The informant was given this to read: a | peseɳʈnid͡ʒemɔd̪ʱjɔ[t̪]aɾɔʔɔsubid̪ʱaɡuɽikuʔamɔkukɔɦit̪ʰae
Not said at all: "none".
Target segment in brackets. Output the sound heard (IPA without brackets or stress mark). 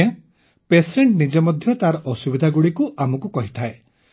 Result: t̪